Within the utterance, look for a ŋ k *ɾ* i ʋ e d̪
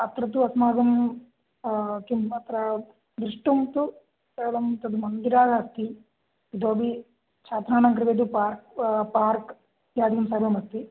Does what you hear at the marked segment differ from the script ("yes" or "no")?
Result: no